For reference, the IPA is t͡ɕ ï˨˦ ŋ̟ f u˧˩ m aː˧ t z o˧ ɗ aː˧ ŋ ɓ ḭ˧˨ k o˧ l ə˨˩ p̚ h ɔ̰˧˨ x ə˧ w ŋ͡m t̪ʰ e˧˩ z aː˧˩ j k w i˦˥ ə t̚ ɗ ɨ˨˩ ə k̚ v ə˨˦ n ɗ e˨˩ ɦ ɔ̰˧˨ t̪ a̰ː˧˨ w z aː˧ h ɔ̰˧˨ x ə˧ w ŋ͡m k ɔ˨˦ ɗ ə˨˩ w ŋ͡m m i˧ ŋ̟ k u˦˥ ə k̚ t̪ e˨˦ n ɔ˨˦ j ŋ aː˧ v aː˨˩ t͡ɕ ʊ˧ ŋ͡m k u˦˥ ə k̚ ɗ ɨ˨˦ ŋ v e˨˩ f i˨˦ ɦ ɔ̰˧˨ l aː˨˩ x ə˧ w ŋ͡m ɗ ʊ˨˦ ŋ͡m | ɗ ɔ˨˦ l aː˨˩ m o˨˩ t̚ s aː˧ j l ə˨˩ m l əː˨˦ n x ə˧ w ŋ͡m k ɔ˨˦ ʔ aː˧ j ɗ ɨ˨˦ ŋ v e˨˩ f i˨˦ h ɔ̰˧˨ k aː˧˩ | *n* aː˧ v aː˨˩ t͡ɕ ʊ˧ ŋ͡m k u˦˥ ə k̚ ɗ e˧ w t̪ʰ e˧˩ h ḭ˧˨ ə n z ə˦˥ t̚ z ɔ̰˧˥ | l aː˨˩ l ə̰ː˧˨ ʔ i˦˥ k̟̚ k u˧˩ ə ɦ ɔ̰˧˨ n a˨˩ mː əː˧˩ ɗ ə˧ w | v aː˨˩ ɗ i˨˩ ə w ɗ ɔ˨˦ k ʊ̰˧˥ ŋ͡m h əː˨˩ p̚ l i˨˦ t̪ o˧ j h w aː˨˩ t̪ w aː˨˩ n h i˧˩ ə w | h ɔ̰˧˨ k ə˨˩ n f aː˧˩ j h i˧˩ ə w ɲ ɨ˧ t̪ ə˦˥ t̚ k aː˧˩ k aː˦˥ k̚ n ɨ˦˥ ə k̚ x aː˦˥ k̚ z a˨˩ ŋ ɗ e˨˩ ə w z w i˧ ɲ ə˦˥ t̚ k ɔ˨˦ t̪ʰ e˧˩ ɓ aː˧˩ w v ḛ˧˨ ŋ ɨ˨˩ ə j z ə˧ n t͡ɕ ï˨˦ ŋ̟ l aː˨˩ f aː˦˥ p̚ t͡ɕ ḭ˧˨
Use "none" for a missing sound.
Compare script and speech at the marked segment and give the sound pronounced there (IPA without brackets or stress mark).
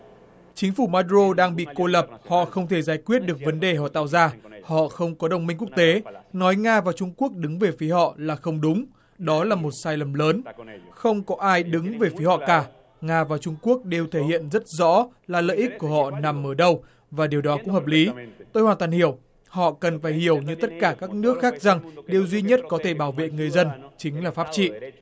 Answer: ŋ